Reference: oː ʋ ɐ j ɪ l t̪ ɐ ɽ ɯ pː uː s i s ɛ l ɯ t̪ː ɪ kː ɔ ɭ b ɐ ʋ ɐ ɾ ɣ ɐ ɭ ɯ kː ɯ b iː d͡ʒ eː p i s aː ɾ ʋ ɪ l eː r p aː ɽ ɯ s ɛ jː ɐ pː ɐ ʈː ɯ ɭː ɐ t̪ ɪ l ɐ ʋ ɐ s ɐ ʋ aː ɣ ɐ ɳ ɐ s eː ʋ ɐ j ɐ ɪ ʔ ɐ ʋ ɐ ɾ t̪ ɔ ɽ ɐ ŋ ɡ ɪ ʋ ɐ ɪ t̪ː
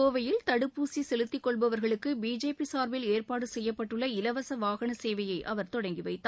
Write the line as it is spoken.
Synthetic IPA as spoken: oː ʋ ɐ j ɪ l t̪ ɐ ɽ ɯ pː uː s i s ɛ l ɯ t̪ː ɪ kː ɔ ɭ b ɐ ʋ ɐ ɾ ɣ ɐ ɭ ɯ kː ɯ b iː d͡ʒ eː p i s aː ɾ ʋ ɪ l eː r p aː ɽ ɯ s ɛ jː ɐ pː ɐ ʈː ɯ ɭː ɐ ɪ l ɐ ʋ ɐ s ɐ ʋ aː ɣ ɐ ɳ ɐ s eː ʋ ɐ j ɐ ɪ ʔ ɐ ʋ ɐ ɾ t̪ ɔ ɽ ɐ ŋ ɡ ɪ ʋ ɐ ɪ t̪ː

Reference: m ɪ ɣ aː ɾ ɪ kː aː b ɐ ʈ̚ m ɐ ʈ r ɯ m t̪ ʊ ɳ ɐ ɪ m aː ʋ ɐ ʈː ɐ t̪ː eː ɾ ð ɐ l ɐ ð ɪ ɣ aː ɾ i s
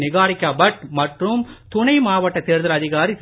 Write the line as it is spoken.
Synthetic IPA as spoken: n ɪ ɣ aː ɾ ɪ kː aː b ɐ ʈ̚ m ɐ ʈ r ɯ m t̪ ʊ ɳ ɐ ɪ m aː ʋ ɐ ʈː ɐ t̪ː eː ɾ ð ɐ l ɐ ð ɪ ɣ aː ɾ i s

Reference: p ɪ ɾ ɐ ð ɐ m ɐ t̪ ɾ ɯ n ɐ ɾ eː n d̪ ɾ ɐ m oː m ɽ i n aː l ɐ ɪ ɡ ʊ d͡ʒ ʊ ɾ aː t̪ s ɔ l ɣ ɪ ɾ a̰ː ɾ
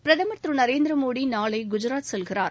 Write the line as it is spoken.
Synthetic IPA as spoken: p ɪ ɾ ɐ ð ɐ m ɐ t̪ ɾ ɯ n ɐ ɾ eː n d̪ ɾ ɐ m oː ɽ i n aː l ɐ ɪ ɡ ʊ d͡ʒ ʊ ɾ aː t̪ s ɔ l ɣ ɪ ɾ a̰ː ɾ

